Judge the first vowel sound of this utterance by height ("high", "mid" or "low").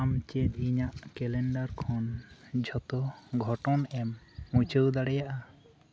low